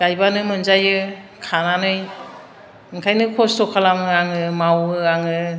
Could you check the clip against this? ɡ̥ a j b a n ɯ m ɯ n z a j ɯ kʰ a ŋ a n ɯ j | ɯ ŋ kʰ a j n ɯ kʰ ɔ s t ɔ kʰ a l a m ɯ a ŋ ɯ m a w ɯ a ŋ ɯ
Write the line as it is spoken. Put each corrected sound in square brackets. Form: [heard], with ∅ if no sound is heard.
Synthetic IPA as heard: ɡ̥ a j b a n ɯ m ɯ n z a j ɯ kʰ a [n] a n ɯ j | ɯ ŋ kʰ a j n ɯ kʰ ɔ s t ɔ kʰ a l a m ɯ a ŋ ɯ m a w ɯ a ŋ ɯ